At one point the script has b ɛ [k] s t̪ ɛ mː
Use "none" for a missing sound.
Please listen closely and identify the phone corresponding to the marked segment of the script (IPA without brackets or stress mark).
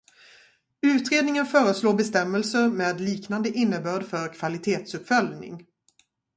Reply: none